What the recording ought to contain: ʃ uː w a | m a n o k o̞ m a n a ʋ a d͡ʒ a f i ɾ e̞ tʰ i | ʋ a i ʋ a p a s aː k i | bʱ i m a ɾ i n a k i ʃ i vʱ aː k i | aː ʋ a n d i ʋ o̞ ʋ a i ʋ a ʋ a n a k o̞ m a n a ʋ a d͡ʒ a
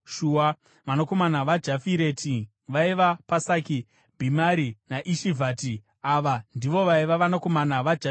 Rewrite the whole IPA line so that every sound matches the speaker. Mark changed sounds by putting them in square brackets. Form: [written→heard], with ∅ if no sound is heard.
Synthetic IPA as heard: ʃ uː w a | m a n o k o̞ m a n a ʋ a d͡ʒ a f i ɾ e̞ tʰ i | ʋ a i ʋ a p a s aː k i | bʱ i m a ɾ i n a [k→ʔ] i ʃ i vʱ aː [k→t] i | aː ʋ a n d i ʋ o̞ ʋ a i ʋ a ʋ a n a k o̞ m a n a ʋ a d͡ʒ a

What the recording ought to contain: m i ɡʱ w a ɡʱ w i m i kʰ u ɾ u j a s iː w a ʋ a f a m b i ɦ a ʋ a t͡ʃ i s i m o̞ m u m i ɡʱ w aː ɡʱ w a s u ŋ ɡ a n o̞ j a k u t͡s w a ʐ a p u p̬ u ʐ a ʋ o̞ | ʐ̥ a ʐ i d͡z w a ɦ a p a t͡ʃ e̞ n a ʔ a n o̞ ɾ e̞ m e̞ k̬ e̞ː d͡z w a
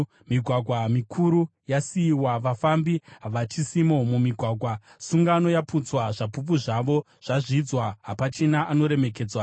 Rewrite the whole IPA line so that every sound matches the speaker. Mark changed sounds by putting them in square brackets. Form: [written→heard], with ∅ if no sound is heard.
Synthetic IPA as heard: m i ɡʱ w a ɡʱ w [i→a] m i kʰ u ɾ u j a s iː w a ʋ a f a m b i ɦ a ʋ a t͡ʃ i s i m o̞ m u m i ɡʱ w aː ɡʱ w a s u ŋ ɡ a n o̞ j a [k→p] u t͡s w a ʐ a p u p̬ u ʐ a ʋ o̞ | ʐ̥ a ʐ i d͡z w a ɦ a p a t͡ʃ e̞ n a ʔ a n o̞ ɾ e̞ m e̞ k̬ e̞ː d͡z w a

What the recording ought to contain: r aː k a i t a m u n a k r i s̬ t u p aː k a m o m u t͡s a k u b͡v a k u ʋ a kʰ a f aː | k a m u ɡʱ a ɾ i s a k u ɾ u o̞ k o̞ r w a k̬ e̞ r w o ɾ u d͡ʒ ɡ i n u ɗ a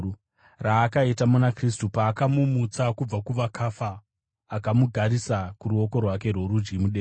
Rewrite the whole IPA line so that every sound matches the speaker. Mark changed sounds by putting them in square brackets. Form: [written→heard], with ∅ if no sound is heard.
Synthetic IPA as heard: r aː k a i t a m u n a k r i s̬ t u p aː k a m [o→u] m u t͡s a k u b͡v a k u ʋ a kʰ a f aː | k a m u ɡʱ a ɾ i s a k u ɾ u o̞ k o̞ r w a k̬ e̞ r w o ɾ u d͡ʒ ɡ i [n→m] u ɗ [a→e]

